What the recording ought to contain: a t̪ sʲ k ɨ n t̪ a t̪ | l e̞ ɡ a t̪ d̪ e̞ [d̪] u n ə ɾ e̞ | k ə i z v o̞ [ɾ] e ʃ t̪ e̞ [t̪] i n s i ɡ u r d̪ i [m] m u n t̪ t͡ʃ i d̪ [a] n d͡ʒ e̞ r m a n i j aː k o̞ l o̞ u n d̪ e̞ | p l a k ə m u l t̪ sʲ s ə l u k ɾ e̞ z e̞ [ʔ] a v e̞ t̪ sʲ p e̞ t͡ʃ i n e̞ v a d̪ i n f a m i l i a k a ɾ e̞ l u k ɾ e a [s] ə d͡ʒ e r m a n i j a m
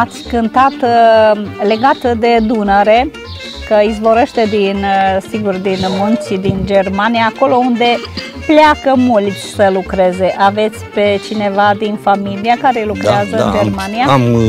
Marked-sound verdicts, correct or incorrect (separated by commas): correct, correct, incorrect, incorrect, incorrect, correct, incorrect